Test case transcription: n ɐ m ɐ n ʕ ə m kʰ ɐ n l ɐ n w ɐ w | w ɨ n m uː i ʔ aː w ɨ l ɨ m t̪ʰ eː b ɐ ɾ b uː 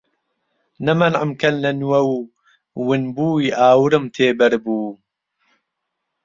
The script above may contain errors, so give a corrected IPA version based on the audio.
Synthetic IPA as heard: n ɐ m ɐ n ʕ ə m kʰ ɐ n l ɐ n w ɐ w | w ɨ n b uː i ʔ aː w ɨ ɾ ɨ m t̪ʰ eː b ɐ ɾ b uː